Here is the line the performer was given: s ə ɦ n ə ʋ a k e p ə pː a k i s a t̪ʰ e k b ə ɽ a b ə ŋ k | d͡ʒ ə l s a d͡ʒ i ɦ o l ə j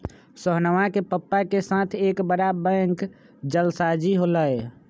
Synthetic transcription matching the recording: s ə ɦ n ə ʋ a k e p ə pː a k e s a t̪ʰ e k b ə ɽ a b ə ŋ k | d͡ʒ ə l s a d͡ʒ i ɦ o l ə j